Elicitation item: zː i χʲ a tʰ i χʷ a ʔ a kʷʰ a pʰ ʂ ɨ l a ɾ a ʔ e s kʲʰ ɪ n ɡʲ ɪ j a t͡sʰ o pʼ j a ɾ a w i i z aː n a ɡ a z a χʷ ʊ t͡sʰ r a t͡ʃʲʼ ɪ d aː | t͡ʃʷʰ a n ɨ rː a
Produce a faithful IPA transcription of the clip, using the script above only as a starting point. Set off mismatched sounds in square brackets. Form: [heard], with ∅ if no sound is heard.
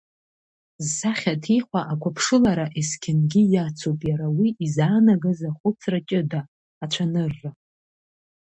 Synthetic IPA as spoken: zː [a] χʲ a tʰ i χʷ a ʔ a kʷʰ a pʰ ʂ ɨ l a ɾ a ʔ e s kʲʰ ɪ n ɡʲ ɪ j a t͡sʰ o pʼ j a ɾ a w i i z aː n a ɡ a z a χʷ ʊ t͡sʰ r a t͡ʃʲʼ ɪ d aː | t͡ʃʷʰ a n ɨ rː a